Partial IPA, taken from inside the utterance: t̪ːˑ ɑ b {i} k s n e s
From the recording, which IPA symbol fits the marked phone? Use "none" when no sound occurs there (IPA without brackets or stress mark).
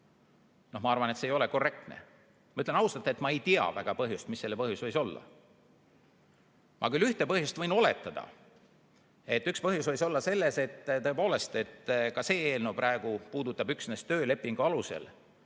y